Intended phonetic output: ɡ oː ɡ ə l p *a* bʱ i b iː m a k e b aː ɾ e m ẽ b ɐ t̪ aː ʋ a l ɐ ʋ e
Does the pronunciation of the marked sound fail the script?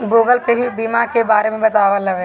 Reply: yes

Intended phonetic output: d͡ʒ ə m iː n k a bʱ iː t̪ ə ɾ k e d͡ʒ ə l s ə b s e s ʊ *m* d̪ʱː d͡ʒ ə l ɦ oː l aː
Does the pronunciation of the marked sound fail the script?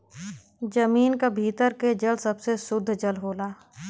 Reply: yes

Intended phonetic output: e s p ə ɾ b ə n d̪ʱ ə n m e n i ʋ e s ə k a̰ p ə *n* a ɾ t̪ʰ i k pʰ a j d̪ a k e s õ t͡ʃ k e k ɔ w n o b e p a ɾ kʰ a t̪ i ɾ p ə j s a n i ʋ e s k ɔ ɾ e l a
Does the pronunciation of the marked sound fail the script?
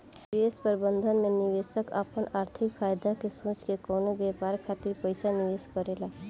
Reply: no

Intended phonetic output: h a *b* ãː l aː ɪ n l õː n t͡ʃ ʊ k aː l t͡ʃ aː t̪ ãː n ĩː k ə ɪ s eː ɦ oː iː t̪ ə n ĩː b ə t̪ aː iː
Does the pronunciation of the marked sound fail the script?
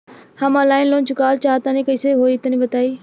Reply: yes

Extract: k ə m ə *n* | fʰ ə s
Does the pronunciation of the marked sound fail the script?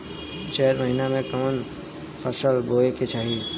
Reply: no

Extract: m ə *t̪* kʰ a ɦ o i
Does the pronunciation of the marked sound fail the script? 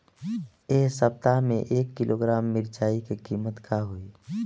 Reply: no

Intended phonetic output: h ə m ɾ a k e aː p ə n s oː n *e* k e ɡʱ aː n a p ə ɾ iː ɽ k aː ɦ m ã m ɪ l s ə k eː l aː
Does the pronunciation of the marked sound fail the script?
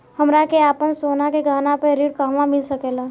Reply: yes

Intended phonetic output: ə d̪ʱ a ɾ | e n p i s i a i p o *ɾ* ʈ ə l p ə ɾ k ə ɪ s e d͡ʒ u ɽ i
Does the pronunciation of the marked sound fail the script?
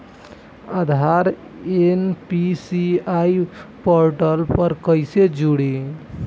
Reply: no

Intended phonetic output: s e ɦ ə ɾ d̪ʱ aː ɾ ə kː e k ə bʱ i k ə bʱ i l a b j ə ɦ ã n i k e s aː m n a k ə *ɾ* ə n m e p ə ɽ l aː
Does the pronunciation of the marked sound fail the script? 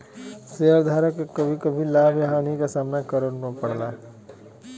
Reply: no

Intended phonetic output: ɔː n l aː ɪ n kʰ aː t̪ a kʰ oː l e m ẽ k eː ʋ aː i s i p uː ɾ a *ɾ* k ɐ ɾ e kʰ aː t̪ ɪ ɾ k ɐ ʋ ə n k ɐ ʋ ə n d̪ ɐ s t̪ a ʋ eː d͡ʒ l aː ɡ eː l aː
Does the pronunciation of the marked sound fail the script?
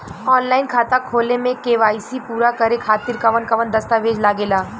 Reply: yes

